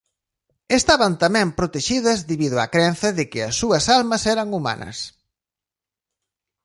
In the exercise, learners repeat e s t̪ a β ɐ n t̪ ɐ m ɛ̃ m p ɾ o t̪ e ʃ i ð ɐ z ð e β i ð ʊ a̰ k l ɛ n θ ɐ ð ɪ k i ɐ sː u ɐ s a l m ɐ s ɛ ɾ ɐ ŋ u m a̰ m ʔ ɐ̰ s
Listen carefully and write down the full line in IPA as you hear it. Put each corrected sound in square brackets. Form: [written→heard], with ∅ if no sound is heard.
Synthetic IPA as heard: e s t̪ a β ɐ n t̪ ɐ m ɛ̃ m p ɾ o t̪ e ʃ i ð ɐ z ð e β i ð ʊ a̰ k [l→ɾ] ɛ n θ ɐ ð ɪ k [i→ɪ] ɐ sː u ɐ s a l m ɐ s ɛ ɾ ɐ ŋ u m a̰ [m→n] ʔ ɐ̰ s

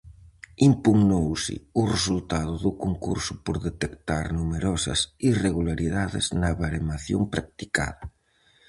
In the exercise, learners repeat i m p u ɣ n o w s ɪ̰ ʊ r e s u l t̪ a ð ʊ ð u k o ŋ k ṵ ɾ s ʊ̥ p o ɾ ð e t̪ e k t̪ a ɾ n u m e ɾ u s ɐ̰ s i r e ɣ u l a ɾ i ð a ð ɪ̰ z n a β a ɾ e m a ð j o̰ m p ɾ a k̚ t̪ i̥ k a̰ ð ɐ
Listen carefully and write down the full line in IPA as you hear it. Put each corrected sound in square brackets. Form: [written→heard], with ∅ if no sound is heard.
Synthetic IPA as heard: i m p u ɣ n o w s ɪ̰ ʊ r e s u l t̪ a ð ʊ ð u k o ŋ k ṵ ɾ s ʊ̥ p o ɾ ð e t̪ e k t̪ a ɾ n u m e ɾ [u→ɔ] s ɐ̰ s i r e ɣ u l a ɾ i ð a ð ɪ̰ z n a β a ɾ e m a [ð→θ] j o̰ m p ɾ a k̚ t̪ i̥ k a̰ ð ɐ

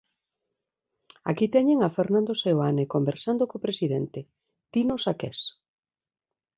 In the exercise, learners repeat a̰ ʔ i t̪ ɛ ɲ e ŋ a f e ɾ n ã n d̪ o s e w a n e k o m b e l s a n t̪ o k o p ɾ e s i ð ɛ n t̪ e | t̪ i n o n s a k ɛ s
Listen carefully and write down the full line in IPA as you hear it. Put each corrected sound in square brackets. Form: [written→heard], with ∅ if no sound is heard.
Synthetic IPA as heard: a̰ [ʔ→k] i t̪ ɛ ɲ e ŋ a f e ɾ n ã n d̪ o s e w a n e k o m b e [l→ɾ] s a n [t̪→d̪] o k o p ɾ e s i ð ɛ n t̪ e | t̪ i n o [n→∅] s a k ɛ s

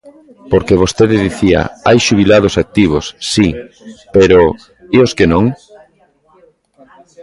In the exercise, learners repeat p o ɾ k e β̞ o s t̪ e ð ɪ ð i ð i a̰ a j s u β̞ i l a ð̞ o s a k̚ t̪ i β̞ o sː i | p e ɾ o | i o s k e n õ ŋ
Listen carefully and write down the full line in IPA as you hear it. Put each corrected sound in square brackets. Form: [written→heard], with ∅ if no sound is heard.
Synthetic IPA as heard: p o ɾ k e β̞ o s t̪ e ð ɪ ð i [ð→θ] i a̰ a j [s→ʃ] u β̞ i l a ð̞ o s a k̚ t̪ i β̞ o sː i | p e ɾ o | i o s k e n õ ŋ

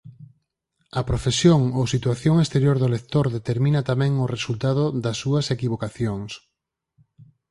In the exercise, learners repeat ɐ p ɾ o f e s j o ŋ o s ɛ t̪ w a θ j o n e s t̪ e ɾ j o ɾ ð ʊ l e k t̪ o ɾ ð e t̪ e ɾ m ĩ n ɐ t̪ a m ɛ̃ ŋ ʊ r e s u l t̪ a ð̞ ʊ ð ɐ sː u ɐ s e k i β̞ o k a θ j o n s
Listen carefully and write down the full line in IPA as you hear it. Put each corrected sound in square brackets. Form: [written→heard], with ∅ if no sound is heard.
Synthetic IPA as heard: ɐ p ɾ o f e s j o ŋ o s [ɛ→i] t̪ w a θ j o [n→ŋ] e s t̪ e ɾ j o ɾ ð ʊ l e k t̪ o ɾ ð e t̪ e ɾ m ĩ n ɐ t̪ a m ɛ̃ ŋ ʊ r e s u l t̪ a ð̞ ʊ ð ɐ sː u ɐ s e k i β̞ o k a θ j o [n→ŋ] s

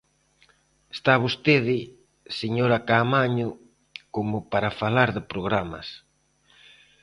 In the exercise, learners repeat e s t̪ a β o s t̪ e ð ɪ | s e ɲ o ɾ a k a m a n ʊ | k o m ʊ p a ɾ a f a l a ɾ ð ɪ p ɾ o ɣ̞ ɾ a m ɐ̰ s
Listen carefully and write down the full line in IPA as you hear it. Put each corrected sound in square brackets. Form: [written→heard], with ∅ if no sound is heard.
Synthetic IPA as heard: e s t̪ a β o s t̪ e ð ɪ | s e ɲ o ɾ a k a m a [n→ɲ] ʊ | k o m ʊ p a ɾ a f a l a ɾ ð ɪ p ɾ o ɣ̞ ɾ a m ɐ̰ s

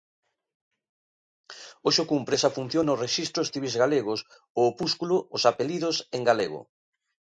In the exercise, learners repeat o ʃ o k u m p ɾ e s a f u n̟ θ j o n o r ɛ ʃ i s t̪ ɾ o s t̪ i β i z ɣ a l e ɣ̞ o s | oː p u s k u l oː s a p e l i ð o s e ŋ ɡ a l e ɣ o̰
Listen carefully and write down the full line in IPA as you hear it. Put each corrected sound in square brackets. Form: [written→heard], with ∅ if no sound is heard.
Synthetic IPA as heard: o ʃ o k u m p ɾ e s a f u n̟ θ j o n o r [ɛ→e] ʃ i s t̪ ɾ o s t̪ i β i z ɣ a l e ɣ̞ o s | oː p u s k u l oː s a p e l i ð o s e ŋ ɡ a l e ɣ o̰

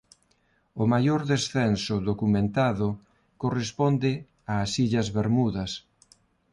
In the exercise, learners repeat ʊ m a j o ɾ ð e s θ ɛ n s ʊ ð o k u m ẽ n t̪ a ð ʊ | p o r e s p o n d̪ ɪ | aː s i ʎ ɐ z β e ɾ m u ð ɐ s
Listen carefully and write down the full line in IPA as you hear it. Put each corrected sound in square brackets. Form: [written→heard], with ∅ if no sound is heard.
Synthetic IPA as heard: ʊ m a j o ɾ ð e s θ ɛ n s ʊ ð o k u m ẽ n t̪ a ð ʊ | [p→k] o r e s p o n d̪ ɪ | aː s i ʎ ɐ z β e ɾ m u ð ɐ s

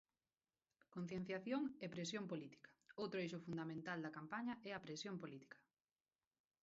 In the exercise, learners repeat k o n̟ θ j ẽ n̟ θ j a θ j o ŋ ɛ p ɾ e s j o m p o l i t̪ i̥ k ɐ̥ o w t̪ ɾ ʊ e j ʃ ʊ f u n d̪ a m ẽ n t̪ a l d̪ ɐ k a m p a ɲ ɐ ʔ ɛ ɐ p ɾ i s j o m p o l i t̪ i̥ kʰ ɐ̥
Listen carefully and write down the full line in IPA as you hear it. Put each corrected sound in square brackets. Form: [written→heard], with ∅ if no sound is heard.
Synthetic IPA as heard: k o n̟ θ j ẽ n̟ θ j a θ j o ŋ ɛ p ɾ e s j o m p o l i t̪ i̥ k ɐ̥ o w t̪ ɾ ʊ e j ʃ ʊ f u n d̪ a m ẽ n t̪ a l d̪ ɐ k a m p a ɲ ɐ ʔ ɛ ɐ p ɾ [i→e] s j o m p o l i t̪ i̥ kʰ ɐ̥

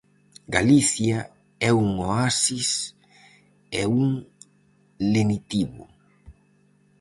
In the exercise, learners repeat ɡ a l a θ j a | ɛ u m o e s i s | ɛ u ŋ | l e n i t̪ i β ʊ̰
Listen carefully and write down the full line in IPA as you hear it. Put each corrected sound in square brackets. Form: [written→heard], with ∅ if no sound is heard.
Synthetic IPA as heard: ɡ a l [a→i] θ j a | ɛ u [m→ŋ] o [e→a] s i s | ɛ u ŋ | l e n i t̪ i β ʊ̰

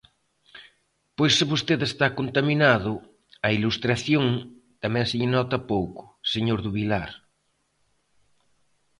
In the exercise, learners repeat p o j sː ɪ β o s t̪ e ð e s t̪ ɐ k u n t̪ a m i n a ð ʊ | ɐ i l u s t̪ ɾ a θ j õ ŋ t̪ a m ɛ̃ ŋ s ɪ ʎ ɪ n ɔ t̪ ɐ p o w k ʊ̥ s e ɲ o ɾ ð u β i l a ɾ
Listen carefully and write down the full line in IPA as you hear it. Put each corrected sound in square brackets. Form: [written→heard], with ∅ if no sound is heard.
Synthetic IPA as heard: p o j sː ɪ β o s t̪ e ð e s t̪ [ɐ→a] k [u→o] n t̪ a m i n a ð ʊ | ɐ i l u s t̪ ɾ a θ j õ ŋ t̪ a m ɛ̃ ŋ s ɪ ʎ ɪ n ɔ t̪ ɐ p o w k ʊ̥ s e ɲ o ɾ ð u β i l a ɾ

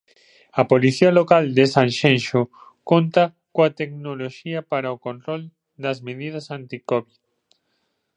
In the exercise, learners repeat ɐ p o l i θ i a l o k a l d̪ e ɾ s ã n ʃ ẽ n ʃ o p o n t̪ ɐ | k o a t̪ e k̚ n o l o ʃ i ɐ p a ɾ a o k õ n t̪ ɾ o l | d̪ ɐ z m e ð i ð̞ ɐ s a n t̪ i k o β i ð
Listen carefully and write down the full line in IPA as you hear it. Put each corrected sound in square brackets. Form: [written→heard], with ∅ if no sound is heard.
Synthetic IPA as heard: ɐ p o l i θ i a l o k a l d̪ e [ɾ→∅] s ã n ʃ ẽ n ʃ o [p→k] o n t̪ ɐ | k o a t̪ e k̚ n o l o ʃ i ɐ p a ɾ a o k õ n t̪ ɾ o l | d̪ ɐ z m e ð i ð̞ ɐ s a n t̪ i k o β i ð

